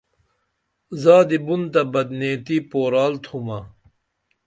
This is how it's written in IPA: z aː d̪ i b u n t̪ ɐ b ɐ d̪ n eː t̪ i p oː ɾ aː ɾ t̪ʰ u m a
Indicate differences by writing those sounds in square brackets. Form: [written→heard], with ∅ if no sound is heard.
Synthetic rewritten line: z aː d̪ i b u n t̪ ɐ b ɐ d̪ n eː t̪ i p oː ɾ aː [ɾ→l] t̪ʰ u m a